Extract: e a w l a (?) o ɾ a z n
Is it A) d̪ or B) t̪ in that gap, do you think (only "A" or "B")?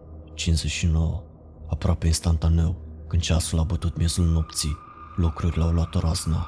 B